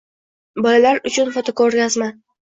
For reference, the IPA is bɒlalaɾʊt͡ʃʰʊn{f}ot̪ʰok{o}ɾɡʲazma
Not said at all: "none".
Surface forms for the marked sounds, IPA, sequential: f, o

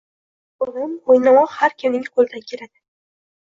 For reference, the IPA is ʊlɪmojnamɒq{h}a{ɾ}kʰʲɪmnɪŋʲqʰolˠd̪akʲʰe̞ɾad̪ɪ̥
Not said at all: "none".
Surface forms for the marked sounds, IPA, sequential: h, ɾ

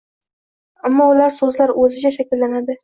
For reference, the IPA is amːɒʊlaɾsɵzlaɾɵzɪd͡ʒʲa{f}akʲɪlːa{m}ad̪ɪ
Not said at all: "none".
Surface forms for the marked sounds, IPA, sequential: ʃ, n

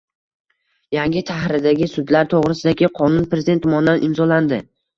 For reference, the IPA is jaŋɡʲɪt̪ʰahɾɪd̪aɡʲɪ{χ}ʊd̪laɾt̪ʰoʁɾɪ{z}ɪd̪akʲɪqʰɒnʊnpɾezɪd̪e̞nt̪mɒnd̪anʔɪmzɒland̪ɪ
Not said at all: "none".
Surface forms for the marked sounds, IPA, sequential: s, s

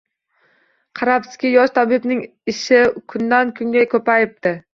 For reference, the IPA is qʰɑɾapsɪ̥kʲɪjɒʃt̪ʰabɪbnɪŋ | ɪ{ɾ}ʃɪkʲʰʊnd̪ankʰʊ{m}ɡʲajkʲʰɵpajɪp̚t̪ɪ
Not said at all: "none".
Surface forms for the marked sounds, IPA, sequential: none, ŋ

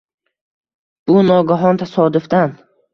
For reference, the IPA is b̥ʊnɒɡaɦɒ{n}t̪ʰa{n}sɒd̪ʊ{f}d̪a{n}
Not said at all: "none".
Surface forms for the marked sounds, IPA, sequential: n, none, f, n

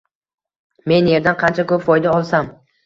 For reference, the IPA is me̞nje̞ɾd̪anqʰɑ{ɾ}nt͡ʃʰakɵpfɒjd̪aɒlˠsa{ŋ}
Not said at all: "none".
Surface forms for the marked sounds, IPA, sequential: none, m

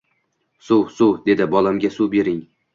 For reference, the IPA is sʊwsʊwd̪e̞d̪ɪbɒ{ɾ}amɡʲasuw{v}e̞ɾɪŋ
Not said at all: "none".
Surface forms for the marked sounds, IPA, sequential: l, b

